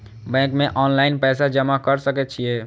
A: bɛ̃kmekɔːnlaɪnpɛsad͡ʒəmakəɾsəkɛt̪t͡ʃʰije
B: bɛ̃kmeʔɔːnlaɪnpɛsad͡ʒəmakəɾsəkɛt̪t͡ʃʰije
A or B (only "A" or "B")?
B